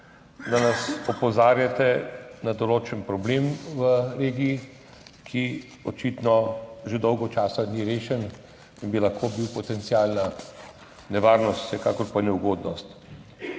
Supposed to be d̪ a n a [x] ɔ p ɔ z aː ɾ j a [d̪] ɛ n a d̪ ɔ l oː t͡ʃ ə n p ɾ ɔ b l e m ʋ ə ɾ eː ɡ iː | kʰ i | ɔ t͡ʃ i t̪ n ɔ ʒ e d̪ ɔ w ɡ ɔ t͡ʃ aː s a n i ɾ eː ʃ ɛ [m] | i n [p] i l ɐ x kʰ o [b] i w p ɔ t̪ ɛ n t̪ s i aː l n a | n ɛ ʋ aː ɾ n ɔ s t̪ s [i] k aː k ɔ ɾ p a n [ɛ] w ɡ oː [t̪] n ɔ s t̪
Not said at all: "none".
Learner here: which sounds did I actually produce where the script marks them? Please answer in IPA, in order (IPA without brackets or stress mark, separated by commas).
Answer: s, t̪, n, b, b, ɛ, ɛ, d̪